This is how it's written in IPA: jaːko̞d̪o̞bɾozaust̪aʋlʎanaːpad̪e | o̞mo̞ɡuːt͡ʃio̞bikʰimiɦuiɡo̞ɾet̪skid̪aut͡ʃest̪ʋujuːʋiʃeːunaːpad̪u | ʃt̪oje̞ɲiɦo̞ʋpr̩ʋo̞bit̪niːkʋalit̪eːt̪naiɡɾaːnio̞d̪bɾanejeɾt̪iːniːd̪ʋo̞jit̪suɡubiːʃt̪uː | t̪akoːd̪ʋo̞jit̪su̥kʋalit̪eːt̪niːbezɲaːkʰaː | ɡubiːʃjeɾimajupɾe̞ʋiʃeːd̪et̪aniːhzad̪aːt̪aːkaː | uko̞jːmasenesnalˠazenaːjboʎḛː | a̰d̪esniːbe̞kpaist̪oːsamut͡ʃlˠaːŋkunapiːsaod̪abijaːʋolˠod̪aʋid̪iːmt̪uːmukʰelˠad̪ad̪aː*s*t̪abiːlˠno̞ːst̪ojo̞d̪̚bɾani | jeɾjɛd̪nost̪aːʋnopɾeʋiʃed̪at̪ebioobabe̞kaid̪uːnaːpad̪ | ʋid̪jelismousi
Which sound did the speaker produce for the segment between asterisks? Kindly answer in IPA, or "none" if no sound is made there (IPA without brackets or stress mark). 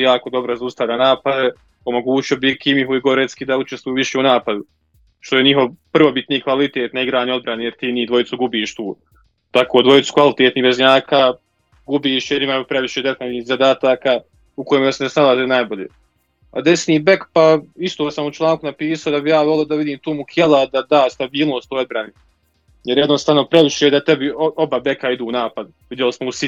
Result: s